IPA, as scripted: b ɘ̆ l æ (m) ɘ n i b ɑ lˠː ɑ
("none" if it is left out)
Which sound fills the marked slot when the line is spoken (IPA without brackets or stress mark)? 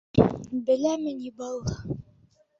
m